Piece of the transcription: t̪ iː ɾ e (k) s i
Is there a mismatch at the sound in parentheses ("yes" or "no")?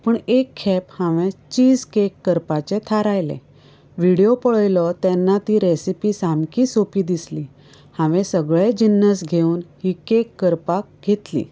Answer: yes